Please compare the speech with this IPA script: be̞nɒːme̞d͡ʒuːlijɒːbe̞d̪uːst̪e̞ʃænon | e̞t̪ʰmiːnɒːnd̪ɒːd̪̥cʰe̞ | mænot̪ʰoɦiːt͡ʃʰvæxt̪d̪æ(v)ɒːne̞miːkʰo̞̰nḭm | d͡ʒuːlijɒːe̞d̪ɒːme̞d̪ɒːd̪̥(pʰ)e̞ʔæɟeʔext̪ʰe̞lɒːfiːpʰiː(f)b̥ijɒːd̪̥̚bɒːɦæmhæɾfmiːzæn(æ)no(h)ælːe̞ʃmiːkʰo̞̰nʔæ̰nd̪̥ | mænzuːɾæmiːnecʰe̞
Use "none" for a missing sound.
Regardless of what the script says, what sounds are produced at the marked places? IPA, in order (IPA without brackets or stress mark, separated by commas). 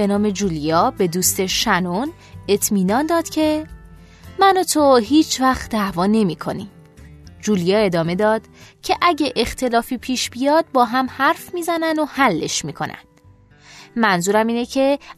v, cʰ, ʃ, æ, h